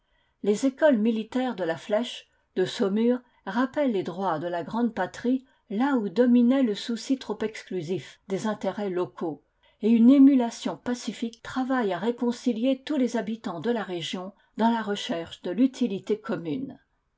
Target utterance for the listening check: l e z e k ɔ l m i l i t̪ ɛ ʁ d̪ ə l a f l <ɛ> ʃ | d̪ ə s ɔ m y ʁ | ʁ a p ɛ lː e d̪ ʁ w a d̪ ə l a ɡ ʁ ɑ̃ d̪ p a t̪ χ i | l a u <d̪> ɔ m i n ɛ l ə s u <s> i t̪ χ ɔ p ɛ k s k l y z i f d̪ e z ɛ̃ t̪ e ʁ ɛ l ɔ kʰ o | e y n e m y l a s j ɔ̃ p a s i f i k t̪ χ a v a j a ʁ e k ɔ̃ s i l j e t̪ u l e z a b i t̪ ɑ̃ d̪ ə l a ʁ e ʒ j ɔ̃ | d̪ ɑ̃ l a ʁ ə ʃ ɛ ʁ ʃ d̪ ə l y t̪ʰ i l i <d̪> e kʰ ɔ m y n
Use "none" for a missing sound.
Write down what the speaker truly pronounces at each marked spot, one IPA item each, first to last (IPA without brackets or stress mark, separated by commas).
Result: ɛ, d̪, s, t̪